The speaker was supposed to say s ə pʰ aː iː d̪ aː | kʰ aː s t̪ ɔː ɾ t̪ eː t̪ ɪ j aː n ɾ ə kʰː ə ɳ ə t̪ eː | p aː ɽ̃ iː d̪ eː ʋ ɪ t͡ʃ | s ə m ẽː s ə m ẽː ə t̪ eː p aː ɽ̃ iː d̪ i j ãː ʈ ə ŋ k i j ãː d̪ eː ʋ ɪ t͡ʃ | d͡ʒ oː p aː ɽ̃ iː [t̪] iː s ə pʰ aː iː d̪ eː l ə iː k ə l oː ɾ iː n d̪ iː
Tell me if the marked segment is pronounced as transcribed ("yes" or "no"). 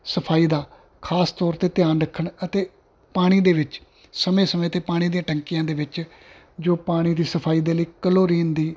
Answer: no